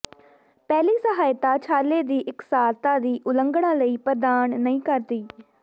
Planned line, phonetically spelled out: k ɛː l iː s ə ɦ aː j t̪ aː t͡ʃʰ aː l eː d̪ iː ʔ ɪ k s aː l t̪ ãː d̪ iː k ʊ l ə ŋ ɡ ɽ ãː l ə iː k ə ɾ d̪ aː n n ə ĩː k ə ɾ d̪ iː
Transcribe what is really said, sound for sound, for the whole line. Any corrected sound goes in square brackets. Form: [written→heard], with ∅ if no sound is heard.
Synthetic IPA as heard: [k→p] ɛː l iː s ə ɦ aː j t̪ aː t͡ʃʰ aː l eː d̪ iː ʔ ɪ k s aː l t̪ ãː d̪ iː [k→ʔ] ʊ l ə ŋ ɡ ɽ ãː l ə iː [k→p] ə ɾ d̪ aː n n ə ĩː k ə ɾ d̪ iː